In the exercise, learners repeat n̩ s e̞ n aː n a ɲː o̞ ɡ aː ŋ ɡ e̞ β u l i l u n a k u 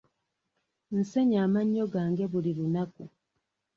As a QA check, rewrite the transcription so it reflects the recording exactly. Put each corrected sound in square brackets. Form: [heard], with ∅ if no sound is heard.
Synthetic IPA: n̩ s e̞ [ɲ] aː [m] a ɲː o̞ ɡ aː ŋ ɡ e̞ β u l i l u n a k u